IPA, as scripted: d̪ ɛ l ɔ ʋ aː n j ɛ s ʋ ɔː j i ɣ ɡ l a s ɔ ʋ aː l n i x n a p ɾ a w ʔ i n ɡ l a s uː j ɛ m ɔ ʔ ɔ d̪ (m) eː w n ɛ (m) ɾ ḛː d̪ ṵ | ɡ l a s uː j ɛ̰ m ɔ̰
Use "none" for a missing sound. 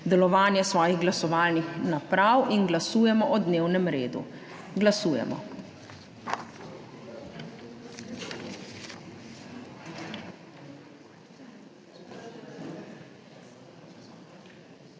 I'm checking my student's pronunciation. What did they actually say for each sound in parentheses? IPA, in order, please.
n, m

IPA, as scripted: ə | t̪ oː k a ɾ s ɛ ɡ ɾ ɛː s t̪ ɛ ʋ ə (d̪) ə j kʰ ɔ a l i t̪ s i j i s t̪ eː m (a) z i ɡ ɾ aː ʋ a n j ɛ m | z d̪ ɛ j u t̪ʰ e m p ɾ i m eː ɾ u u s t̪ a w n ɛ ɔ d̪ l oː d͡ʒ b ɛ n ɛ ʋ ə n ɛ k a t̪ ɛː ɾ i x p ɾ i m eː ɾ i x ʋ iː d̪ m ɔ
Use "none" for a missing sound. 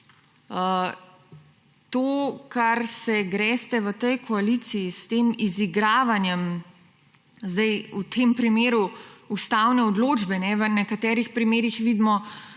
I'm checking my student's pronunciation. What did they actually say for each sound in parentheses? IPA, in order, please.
t̪, i

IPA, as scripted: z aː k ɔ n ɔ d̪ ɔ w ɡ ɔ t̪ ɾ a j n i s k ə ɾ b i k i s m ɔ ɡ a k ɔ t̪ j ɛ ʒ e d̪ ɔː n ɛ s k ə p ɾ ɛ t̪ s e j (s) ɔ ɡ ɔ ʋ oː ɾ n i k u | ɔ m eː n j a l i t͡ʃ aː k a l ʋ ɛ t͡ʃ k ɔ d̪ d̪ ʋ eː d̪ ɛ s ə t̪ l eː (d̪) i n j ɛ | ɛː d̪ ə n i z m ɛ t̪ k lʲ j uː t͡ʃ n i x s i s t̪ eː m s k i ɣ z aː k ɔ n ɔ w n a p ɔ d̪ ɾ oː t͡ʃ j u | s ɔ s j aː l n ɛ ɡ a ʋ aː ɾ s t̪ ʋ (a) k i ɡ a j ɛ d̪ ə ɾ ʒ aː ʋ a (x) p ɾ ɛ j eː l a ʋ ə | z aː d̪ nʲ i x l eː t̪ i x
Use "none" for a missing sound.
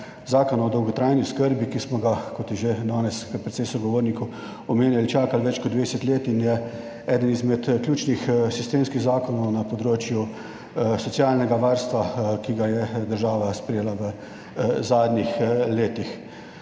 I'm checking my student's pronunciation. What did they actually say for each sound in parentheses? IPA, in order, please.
s, t̪, a, s

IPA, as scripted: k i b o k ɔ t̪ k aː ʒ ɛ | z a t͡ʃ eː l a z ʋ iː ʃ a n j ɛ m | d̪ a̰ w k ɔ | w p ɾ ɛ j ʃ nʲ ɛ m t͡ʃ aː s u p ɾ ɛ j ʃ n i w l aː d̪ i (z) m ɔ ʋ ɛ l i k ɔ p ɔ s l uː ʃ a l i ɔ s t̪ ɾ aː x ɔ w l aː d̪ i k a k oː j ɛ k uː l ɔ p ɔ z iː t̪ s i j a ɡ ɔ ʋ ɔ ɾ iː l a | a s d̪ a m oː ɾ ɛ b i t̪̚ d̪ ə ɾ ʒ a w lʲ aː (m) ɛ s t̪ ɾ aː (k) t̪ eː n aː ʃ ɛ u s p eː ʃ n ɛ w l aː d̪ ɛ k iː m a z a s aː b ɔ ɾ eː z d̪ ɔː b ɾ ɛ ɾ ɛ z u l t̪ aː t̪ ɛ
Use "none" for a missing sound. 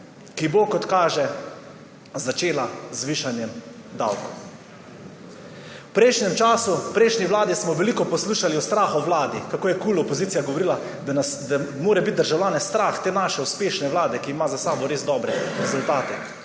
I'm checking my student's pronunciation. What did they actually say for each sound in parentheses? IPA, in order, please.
s, n, x

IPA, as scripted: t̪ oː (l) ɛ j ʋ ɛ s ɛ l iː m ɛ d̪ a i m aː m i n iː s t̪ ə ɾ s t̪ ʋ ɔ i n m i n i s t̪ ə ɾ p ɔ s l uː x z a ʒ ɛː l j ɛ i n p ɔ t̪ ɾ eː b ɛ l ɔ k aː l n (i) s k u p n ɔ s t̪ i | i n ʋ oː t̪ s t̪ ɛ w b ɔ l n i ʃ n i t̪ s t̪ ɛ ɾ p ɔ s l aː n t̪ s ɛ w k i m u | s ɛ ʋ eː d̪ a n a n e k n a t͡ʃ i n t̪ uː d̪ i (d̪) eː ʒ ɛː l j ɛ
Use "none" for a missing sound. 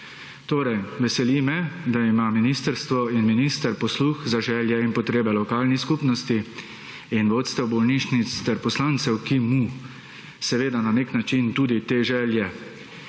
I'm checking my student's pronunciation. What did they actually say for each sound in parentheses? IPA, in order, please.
ɾ, i, t̪

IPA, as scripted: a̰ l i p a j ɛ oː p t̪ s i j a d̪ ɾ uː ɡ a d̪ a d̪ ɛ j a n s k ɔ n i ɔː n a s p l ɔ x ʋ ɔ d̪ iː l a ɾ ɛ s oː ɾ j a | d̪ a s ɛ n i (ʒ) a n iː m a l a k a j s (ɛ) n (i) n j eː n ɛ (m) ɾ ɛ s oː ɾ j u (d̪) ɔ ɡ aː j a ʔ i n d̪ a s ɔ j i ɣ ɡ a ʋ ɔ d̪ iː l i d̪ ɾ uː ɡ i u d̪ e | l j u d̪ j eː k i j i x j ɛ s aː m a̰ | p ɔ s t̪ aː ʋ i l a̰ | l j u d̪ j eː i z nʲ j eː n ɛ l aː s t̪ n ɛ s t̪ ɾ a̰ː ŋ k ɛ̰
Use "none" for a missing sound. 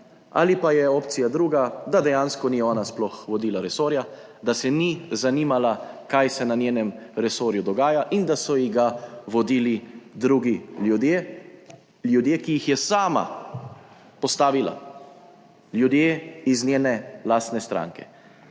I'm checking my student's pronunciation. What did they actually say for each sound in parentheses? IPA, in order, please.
z, ɛ, a, m, d̪

